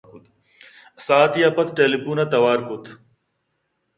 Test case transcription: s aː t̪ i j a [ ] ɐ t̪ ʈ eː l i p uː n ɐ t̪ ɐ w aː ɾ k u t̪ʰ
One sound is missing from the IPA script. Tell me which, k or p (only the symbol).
p